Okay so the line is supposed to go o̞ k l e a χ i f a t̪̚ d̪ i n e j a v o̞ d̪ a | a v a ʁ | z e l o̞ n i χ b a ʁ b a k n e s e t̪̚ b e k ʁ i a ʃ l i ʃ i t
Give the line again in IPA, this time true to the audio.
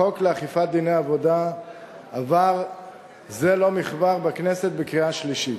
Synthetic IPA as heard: o̞ k l e a χ i f a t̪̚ d̪ i n e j a v o̞ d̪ a | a v a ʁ | z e l o̞ m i χ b a ʁ b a k n e s e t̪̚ b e k ʁ i a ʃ l i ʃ i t